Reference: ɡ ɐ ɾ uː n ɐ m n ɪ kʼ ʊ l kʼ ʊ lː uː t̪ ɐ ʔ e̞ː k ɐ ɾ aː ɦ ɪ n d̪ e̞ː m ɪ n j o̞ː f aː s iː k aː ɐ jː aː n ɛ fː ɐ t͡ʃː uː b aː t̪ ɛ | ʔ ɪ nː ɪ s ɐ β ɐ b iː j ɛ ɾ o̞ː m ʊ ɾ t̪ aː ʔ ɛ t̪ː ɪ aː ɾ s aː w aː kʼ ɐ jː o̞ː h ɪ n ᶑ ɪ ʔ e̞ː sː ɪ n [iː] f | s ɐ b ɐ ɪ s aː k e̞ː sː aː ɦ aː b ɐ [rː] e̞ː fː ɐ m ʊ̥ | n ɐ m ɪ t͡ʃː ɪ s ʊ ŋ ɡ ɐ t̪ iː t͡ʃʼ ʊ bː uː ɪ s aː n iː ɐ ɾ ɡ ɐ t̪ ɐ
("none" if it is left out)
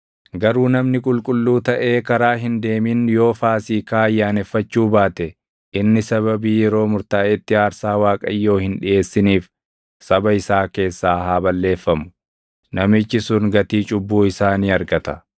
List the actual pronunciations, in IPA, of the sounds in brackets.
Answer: iː, lː

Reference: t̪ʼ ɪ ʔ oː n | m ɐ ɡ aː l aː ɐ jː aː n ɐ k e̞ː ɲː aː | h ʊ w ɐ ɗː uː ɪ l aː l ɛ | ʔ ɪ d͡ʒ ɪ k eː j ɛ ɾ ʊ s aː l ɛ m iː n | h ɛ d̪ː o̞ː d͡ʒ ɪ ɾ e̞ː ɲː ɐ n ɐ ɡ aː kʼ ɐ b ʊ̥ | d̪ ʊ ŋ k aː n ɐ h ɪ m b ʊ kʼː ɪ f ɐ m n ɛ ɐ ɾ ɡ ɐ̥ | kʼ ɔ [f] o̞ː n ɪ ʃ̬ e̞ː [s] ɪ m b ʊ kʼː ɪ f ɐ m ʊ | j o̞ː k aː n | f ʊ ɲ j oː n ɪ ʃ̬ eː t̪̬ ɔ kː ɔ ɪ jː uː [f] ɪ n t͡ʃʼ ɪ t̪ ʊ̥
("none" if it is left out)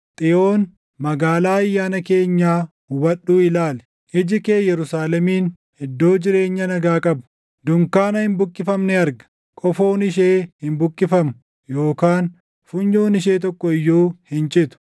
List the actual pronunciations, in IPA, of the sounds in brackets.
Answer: f, h, h

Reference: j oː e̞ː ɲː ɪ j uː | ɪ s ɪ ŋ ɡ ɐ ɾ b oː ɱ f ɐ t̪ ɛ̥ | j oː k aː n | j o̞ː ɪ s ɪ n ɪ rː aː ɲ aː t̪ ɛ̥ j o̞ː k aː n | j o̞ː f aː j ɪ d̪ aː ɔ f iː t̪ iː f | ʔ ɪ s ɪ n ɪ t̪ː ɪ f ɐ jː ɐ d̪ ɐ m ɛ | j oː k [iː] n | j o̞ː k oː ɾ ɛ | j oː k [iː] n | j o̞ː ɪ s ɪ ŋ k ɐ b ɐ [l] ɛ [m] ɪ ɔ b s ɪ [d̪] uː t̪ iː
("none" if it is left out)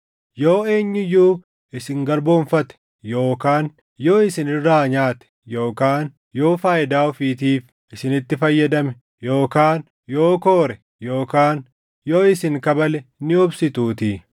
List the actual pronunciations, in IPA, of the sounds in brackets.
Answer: aː, aː, l, n, t̪

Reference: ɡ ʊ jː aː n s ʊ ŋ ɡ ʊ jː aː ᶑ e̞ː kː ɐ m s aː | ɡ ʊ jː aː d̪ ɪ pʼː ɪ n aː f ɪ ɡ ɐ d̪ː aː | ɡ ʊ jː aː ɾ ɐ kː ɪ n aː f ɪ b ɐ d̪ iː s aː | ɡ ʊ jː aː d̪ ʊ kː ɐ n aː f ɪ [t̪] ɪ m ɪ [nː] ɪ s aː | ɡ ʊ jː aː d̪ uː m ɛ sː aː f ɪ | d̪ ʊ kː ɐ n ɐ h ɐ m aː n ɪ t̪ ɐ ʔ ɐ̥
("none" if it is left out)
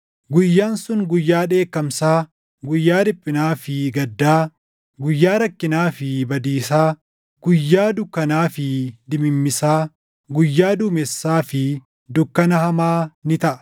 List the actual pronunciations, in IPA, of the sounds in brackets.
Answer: d̪, mː

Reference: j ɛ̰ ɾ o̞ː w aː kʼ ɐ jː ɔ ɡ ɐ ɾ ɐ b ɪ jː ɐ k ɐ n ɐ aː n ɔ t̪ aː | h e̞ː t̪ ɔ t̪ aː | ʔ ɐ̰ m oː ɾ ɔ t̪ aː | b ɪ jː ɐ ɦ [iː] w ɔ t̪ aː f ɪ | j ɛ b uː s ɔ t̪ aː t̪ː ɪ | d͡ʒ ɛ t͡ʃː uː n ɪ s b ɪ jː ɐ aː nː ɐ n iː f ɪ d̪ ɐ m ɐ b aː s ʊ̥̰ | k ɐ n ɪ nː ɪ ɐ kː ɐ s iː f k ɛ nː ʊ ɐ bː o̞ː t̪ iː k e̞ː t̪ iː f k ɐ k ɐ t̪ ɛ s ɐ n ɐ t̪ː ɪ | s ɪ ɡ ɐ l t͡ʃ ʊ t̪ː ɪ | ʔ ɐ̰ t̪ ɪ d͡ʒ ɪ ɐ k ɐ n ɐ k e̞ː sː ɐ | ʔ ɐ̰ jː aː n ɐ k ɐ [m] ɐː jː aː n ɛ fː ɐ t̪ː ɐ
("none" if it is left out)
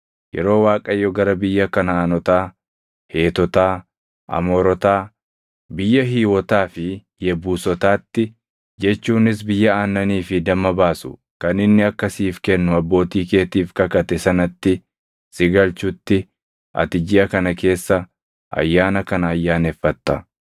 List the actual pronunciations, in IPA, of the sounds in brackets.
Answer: iː, n

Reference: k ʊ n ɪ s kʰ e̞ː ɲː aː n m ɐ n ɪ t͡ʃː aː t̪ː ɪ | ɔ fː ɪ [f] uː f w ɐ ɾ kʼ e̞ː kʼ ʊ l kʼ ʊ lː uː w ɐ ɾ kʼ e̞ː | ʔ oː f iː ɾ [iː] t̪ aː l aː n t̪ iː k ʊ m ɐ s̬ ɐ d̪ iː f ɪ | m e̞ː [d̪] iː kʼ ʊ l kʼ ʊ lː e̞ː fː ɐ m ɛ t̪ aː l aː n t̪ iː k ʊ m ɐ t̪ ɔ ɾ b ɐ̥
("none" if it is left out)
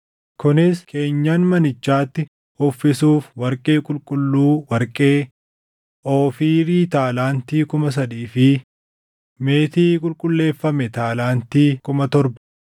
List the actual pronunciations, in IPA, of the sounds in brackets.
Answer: s, iː, t̪

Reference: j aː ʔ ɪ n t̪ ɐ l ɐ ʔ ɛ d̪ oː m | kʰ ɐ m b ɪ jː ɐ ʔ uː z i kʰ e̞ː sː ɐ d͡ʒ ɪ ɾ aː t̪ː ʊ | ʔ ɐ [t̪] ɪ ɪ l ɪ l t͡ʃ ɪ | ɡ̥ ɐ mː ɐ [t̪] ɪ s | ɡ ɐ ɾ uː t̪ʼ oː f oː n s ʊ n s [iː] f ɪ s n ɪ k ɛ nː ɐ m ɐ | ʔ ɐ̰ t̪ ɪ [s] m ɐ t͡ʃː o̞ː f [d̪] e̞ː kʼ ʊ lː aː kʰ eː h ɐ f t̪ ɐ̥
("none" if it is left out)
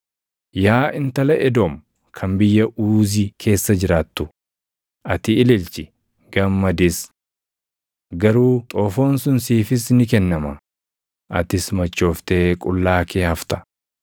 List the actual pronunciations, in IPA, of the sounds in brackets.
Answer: t̪, d̪, iː, s, t̪

